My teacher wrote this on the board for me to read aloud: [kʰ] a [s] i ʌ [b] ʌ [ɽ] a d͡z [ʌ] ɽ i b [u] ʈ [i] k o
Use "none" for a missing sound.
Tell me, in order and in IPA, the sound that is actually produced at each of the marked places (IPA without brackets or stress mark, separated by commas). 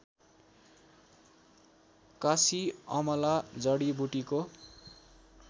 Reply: k, s, m, l, ʌ, u, i